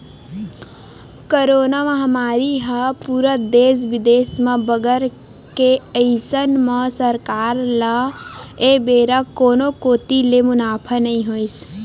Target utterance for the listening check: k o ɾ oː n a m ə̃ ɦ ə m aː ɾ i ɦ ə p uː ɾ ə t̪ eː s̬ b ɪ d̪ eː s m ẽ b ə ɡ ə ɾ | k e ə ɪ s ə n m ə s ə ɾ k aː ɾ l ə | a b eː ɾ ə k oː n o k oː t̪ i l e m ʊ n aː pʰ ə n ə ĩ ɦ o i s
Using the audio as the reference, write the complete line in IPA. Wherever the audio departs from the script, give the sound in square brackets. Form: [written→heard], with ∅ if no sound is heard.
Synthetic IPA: k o ɾ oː n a m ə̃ ɦ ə m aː ɾ i ɦ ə p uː ɾ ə [t̪→d̪] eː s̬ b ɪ d̪ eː s m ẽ b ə ɡ ə ɾ | k e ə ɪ s ə n m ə s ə ɾ k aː ɾ l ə | [a→e] b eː ɾ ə k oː n o k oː t̪ i l e m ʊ n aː pʰ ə n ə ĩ ɦ o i s